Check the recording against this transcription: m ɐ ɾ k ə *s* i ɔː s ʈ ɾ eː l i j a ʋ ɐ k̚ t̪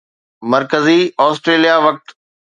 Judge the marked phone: incorrect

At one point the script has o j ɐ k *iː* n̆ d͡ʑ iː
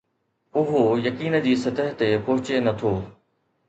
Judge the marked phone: correct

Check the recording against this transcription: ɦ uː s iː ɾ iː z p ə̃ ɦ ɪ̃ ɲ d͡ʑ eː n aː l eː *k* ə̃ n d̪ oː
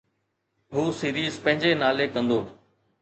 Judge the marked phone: correct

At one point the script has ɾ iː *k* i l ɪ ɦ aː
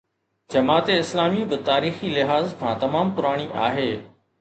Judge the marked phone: incorrect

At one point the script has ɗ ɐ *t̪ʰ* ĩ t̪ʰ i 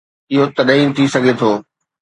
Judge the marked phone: incorrect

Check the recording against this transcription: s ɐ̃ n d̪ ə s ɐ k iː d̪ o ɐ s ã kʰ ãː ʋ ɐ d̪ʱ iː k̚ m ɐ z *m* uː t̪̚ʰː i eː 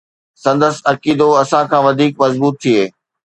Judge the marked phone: incorrect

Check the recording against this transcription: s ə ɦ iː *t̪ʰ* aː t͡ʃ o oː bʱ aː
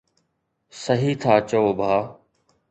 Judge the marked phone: correct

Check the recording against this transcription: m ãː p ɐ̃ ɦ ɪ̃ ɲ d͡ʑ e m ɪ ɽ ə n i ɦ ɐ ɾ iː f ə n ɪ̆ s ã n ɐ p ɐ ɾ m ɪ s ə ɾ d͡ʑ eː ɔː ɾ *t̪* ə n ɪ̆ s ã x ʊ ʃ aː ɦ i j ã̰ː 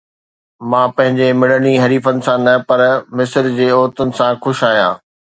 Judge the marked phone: correct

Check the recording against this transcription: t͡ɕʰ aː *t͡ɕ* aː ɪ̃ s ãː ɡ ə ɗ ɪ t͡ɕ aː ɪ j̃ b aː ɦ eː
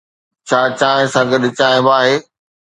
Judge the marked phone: correct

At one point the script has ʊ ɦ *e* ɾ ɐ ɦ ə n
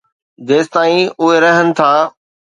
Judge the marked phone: correct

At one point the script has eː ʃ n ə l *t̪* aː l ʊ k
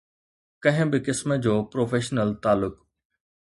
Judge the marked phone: correct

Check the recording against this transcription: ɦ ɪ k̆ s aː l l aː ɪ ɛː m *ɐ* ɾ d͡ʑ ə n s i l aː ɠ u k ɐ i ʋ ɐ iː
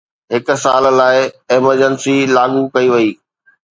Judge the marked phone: incorrect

